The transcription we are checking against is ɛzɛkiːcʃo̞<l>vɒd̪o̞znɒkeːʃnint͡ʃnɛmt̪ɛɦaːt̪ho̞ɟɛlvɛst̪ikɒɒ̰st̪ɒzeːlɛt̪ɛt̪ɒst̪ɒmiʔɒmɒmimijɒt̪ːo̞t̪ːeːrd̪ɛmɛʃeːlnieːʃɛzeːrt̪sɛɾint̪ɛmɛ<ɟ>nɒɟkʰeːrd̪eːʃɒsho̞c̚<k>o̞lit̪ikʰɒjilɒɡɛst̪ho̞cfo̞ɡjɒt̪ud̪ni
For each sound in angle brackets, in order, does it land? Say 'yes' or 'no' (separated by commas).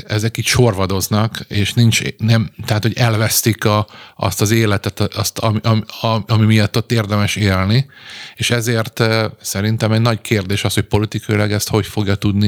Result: no, yes, no